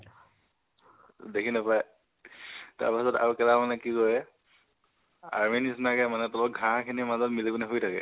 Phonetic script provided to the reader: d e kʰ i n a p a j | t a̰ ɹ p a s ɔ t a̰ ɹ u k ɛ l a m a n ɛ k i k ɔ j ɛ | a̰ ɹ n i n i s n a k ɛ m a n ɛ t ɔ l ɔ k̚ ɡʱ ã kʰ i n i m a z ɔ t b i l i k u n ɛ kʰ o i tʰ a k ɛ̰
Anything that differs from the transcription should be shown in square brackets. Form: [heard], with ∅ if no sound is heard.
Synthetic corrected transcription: d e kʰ i n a p a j | t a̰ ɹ p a s ɔ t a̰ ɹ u k ɛ l a m a n ɛ k i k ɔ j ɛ | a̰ ɹ [m] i n i s n a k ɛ m a n ɛ t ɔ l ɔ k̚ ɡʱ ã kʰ i n i m a z ɔ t [m] i l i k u n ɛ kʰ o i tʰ a k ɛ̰